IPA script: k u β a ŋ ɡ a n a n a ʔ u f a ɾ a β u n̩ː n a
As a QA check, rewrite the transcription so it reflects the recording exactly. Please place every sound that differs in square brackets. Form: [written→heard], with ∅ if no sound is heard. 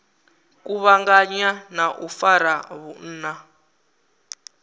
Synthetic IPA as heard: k u β a ŋ ɡ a [n→ɲ] a n a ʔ u f a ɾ a β u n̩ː n a

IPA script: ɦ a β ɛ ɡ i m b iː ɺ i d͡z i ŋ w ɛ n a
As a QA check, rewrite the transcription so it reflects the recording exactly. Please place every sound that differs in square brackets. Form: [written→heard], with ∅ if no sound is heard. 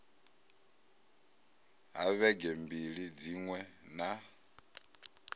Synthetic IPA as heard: ɦ a β ɛ ɡ [i→ɛ] m b [iː→i] ɺ i d͡z i ŋ w ɛ n a

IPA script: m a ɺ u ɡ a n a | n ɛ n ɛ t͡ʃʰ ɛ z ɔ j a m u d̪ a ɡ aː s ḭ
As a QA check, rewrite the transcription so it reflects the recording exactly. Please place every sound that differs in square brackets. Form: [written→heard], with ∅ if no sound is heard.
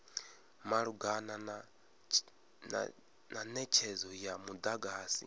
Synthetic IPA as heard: m a ɺ u ɡ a n a | n [ɛ→a] n ɛ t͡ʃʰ ɛ z ɔ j a m u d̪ a ɡ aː s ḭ

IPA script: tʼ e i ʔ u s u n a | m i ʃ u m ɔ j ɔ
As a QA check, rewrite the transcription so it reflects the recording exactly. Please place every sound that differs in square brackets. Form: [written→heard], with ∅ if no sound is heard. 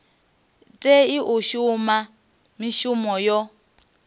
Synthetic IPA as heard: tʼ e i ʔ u [s→ʃ] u [n→m] a | m i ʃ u m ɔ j ɔ

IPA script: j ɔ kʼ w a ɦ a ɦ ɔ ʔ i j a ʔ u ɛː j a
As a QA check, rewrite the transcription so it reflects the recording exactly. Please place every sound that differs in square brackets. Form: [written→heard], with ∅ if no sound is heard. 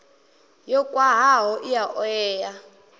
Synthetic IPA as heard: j ɔ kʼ w a ɦ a ɦ ɔ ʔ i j a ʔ [u→ɔ] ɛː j a

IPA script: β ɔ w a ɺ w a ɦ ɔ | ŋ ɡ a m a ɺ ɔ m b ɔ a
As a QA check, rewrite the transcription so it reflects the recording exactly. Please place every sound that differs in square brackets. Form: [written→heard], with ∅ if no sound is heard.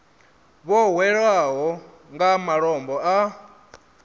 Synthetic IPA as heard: β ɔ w [a→ɛ] ɺ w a ɦ ɔ | ŋ ɡ a m a ɺ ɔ m b ɔ a

